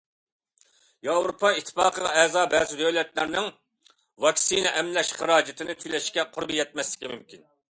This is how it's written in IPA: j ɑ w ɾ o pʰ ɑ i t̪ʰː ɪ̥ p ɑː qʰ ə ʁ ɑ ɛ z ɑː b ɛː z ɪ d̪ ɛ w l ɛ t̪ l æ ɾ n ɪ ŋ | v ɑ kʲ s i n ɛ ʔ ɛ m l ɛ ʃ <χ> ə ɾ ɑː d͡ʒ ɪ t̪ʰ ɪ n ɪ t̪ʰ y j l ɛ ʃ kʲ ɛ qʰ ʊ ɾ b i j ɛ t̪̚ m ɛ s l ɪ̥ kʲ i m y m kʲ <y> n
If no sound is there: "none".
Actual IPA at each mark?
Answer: χ, i

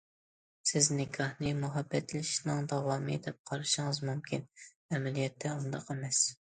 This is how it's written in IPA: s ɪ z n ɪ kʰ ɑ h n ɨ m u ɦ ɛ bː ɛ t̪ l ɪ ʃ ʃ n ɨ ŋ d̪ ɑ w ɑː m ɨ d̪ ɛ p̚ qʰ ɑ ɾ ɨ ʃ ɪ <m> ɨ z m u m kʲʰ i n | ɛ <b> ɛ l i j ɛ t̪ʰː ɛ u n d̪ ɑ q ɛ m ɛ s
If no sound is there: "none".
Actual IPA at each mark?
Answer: ŋ, m

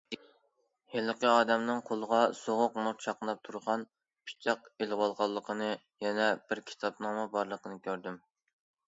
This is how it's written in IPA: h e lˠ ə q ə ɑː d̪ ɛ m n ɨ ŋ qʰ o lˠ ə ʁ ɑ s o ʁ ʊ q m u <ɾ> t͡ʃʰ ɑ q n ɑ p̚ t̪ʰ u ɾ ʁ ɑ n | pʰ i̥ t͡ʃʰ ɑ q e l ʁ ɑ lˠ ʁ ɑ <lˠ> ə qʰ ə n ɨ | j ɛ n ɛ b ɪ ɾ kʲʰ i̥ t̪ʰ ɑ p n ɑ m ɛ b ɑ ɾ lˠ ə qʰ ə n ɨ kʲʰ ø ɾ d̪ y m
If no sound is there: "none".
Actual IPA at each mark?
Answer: ɾ, lˠː

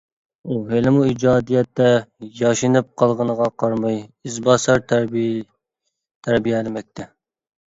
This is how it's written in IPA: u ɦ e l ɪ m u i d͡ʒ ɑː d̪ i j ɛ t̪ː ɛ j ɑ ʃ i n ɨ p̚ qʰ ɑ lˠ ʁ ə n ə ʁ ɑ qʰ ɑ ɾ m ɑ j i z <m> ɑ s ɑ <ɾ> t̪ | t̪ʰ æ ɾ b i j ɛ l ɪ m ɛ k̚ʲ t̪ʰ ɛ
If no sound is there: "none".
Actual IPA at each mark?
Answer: b, ɾ

